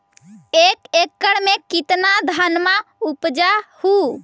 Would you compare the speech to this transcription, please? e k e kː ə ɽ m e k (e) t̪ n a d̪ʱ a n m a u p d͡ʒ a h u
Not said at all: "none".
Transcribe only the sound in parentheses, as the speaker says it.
i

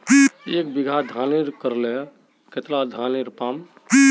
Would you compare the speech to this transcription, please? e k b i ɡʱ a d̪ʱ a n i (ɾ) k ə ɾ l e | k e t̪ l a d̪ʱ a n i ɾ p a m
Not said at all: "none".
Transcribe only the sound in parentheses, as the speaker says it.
ɾ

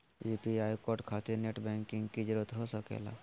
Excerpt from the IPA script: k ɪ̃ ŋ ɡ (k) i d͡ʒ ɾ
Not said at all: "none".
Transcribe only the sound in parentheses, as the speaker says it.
k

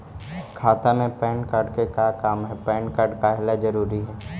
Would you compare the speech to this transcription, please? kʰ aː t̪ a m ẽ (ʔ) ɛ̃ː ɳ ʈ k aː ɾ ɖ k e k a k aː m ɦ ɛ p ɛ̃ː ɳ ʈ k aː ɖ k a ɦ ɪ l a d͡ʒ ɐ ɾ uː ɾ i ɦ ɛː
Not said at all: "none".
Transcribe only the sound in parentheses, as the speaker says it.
p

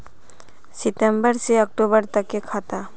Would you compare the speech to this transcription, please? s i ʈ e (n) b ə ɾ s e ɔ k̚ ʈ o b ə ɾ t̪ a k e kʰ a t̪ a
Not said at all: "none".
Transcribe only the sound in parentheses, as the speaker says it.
m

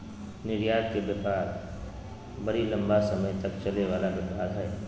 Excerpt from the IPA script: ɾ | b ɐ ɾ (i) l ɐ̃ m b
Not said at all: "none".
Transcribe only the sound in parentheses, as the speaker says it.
i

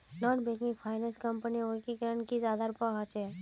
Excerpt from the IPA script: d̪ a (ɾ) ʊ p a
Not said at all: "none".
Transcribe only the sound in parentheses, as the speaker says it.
ɾ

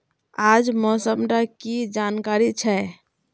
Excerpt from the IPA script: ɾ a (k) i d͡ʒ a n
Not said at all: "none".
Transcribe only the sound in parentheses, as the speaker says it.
k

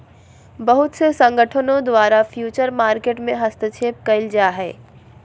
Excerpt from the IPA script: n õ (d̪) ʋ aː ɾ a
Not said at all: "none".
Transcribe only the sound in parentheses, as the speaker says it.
d̪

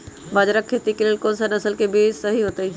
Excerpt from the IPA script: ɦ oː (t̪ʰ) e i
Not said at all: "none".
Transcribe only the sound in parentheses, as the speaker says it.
t̪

